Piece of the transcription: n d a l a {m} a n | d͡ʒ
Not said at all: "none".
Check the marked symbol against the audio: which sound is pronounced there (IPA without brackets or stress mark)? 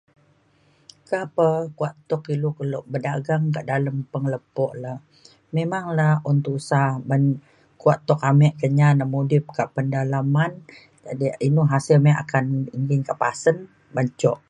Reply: m